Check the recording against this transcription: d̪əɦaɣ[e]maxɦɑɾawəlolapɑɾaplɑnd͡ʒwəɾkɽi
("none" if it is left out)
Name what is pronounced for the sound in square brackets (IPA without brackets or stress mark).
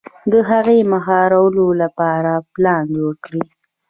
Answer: e